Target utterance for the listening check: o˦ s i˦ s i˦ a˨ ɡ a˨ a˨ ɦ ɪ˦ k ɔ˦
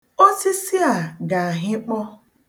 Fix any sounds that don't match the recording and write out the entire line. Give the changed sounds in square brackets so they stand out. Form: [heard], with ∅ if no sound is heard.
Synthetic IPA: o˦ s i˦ s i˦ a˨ ɡ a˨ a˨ ɦ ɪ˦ [k͡p] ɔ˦